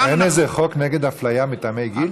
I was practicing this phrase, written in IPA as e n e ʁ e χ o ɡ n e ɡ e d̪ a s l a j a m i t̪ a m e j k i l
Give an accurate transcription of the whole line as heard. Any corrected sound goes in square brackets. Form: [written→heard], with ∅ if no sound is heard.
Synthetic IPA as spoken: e n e [ʁ→z] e χ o [ɡ→k] n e ɡ e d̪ a [s→f] l a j a m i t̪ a m e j [k→ɡ] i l